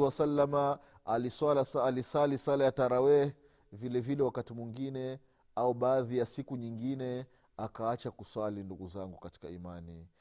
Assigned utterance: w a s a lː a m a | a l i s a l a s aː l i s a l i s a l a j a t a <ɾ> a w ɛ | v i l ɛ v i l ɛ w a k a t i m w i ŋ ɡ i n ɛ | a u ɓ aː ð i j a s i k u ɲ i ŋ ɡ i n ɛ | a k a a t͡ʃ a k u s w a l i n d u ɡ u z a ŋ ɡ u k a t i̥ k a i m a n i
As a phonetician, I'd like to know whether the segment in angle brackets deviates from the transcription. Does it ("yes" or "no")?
no